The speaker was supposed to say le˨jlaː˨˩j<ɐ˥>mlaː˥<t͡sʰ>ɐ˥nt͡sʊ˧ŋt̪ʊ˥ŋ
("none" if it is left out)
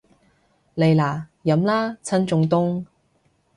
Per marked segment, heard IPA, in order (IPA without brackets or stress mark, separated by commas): ɐ˨˥, t͡sʰ